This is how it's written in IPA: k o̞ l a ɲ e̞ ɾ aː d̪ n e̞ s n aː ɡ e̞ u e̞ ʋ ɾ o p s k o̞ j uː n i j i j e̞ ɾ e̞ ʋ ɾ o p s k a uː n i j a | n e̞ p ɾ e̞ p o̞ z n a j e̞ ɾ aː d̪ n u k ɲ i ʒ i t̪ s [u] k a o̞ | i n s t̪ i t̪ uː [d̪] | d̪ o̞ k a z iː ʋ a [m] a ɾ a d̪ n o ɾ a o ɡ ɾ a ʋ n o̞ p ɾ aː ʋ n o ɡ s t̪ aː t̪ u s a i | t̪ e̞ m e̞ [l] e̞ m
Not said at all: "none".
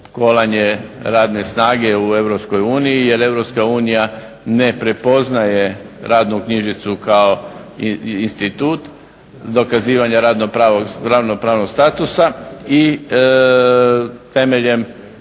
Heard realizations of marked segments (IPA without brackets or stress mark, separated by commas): u, t̪, ɲ, ʎ